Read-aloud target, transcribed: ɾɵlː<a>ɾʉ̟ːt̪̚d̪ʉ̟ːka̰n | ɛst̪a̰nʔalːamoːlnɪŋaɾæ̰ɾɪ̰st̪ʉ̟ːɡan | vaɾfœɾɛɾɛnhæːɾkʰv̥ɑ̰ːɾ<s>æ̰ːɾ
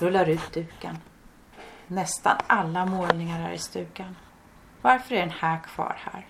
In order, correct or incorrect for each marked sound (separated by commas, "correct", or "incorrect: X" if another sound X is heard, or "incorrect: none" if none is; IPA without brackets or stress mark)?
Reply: correct, incorrect: h